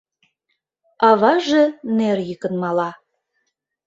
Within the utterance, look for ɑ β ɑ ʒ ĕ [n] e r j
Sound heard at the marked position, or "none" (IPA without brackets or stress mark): n